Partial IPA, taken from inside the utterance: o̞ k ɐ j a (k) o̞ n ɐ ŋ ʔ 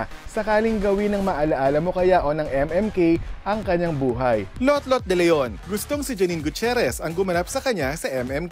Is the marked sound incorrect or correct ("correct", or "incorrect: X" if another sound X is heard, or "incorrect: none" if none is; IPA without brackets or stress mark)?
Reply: incorrect: ʔ